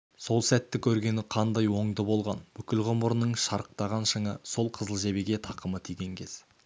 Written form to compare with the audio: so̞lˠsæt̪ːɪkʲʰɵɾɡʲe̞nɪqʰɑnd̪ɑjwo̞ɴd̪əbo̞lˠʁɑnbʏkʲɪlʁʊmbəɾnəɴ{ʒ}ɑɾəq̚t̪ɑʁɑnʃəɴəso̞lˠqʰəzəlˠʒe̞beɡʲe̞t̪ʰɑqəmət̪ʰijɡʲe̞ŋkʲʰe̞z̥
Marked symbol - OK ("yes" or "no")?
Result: no